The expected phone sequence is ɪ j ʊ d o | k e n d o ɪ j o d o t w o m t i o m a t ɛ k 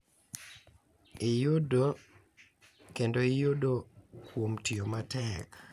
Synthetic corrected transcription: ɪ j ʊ d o | k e n d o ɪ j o d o k w o m t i o m a t ɛ k